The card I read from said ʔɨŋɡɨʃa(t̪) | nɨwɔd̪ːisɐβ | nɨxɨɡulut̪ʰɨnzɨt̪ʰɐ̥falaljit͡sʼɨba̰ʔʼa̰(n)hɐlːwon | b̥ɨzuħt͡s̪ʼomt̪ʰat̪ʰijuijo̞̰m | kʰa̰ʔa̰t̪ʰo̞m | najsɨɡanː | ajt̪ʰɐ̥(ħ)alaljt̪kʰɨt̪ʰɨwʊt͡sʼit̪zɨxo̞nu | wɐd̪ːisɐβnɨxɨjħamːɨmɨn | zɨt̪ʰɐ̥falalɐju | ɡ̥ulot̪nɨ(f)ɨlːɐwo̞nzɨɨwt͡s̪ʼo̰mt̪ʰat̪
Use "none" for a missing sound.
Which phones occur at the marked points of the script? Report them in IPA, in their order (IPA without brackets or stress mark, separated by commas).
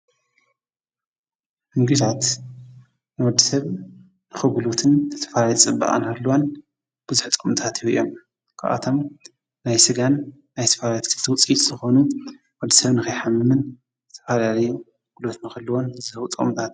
t̪, n, f, x